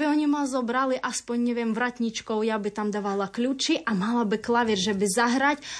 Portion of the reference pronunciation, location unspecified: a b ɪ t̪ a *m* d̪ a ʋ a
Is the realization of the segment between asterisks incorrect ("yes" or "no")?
no